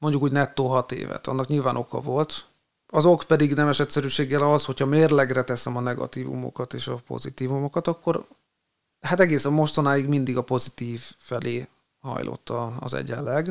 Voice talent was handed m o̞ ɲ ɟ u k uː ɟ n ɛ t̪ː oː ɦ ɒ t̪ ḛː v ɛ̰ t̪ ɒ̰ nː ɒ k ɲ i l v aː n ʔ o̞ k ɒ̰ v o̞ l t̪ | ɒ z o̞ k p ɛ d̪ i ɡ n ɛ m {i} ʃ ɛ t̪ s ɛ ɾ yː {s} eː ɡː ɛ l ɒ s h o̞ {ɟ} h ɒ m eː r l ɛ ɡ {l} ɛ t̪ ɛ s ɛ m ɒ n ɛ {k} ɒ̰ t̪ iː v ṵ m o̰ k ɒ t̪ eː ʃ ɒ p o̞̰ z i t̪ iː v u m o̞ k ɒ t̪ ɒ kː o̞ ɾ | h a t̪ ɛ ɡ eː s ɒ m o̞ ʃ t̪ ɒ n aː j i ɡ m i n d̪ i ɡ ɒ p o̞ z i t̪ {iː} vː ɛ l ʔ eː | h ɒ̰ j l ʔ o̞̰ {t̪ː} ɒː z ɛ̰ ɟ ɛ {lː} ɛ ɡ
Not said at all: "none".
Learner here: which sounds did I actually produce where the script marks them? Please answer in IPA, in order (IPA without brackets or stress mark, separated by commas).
ɛ, ʃ, c, r, ɡ, iː, t̪ː, lː